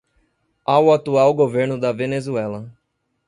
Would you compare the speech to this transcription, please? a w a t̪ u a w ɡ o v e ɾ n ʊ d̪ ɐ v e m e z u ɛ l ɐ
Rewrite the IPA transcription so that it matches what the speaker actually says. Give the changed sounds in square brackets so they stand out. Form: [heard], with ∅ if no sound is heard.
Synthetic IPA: a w a t̪ u a w ɡ o v e ɾ n ʊ d̪ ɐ v e [n] e z u ɛ l ɐ